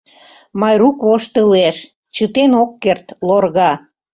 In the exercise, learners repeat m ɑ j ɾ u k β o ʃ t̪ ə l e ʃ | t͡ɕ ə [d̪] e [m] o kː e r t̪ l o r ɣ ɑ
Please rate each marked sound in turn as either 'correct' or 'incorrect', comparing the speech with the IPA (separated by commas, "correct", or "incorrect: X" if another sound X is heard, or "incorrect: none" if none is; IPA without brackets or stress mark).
incorrect: t̪, incorrect: n